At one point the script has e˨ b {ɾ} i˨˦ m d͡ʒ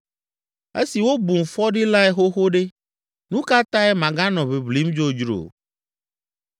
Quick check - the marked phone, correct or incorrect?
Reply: incorrect